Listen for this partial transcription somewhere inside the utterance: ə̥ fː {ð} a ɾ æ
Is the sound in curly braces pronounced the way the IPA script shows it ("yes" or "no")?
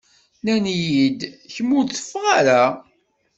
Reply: no